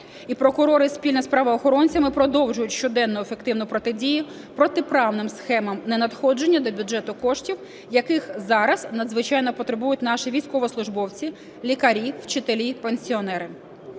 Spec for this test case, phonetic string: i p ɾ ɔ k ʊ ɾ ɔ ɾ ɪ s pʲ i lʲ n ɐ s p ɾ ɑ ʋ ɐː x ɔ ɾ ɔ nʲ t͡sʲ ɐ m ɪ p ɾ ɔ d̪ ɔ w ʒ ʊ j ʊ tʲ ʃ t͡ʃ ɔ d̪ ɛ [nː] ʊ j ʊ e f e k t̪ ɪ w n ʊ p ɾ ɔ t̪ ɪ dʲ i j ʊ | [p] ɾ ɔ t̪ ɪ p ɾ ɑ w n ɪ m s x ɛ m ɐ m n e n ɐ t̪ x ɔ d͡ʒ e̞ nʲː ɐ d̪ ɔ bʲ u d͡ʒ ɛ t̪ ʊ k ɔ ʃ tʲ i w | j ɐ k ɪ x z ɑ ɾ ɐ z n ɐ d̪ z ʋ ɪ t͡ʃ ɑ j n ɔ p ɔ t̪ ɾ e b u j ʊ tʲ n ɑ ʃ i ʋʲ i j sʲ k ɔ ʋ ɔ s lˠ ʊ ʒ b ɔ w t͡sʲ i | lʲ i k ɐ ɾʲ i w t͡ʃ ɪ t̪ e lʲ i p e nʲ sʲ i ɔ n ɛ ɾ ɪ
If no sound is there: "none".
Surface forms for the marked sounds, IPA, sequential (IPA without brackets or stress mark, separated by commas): nː, p